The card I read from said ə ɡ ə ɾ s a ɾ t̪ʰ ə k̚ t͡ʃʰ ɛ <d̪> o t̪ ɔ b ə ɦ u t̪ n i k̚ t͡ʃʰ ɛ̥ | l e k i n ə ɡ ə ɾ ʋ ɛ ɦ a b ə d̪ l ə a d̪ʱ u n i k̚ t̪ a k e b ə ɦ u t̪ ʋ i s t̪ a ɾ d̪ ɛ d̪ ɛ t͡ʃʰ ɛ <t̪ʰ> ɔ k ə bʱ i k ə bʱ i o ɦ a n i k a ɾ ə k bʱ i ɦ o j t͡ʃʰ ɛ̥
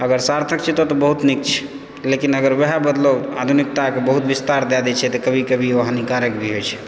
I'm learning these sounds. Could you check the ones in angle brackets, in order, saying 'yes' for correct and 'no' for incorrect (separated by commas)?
no, no